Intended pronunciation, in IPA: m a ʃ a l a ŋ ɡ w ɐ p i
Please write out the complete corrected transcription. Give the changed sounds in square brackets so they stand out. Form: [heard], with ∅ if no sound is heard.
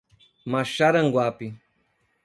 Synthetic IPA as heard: m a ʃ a [ɾ] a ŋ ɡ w [a] p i